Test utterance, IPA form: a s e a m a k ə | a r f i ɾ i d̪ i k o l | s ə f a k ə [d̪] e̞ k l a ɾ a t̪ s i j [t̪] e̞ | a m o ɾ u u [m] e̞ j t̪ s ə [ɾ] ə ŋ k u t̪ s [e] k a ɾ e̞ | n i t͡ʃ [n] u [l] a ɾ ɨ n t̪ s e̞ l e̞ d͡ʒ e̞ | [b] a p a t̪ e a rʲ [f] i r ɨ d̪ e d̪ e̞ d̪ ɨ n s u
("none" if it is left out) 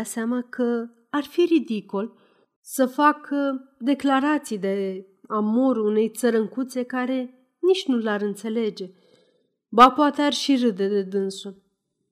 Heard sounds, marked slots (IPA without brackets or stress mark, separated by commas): d̪, d̪, n, ɾ, e, n, l, b, ʃ